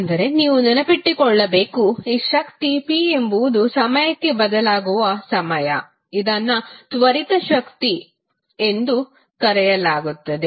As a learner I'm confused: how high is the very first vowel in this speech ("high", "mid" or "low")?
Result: low